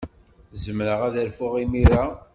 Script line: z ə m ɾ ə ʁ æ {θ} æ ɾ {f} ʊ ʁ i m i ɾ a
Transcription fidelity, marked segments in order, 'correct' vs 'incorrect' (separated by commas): incorrect, correct